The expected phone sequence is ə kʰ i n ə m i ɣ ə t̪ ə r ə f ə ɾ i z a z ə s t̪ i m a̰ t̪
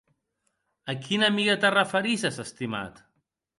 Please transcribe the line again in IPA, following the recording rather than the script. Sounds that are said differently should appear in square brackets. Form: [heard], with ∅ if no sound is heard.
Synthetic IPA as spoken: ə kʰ i n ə m i ɣ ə t̪ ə r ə f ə ɾ i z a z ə s t̪ i m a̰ t̪